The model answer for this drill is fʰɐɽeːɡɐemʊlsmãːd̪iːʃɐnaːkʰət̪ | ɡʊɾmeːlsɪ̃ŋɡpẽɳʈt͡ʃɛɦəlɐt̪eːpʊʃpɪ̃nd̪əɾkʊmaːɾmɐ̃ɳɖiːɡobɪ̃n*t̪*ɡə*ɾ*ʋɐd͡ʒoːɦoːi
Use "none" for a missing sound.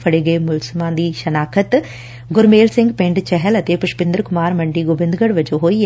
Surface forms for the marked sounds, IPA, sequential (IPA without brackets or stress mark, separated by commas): d̪, ɽ